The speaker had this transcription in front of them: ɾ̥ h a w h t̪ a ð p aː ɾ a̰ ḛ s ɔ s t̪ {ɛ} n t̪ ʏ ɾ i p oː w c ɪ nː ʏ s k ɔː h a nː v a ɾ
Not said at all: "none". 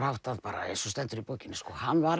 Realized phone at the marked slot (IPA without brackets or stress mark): ɛ